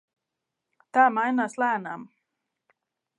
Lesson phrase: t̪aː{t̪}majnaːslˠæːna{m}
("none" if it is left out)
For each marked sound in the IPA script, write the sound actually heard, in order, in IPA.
none, m

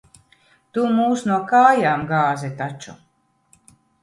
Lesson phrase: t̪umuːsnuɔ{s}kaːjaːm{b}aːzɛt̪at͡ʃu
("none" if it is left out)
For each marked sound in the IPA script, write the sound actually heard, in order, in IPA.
none, ɡ

